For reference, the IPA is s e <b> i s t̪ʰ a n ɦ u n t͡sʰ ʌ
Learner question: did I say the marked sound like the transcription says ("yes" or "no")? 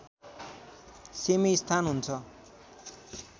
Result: no